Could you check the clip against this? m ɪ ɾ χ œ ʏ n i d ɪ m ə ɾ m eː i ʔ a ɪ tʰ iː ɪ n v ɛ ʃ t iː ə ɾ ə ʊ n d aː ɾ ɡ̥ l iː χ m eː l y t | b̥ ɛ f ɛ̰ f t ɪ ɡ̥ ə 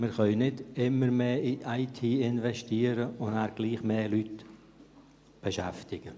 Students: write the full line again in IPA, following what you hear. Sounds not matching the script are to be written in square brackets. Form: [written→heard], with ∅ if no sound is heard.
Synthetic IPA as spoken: m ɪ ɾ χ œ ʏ n [i→ɪ] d ɪ m ə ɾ m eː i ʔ a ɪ tʰ iː ɪ n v ɛ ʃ t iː ə ɾ ə ʊ n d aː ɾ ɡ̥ l iː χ m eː l y t | b̥ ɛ [f→ʃ] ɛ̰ f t ɪ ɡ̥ ə